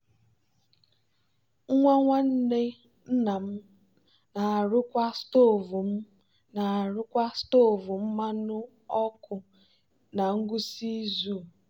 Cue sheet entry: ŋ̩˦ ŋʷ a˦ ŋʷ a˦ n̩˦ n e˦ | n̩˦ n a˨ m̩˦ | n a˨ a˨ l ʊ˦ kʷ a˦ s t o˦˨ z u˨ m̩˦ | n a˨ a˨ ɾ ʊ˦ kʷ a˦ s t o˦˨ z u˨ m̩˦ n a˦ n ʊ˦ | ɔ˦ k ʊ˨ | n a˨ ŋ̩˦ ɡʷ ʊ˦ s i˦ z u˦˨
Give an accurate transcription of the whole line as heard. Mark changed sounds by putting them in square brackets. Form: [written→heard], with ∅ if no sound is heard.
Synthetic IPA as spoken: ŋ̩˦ ŋʷ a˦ ŋʷ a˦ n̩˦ n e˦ | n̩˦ n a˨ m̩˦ | n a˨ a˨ [l→ɾ] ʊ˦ kʷ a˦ s t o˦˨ [z→v] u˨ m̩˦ | n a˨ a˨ ɾ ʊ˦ kʷ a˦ s t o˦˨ [z→v] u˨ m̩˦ [n→m] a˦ n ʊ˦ | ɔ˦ k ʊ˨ | n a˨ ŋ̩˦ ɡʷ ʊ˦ s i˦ z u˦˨